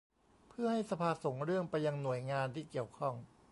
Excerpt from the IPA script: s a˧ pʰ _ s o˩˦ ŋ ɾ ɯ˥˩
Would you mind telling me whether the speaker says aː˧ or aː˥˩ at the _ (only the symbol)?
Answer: aː˧